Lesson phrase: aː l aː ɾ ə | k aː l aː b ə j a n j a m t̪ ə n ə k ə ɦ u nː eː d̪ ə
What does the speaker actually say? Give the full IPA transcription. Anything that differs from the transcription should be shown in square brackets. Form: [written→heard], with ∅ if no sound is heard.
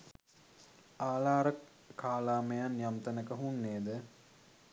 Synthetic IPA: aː l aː ɾ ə | k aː l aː [b→m] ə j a n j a m t̪ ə n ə k ə ɦ u nː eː d̪ ə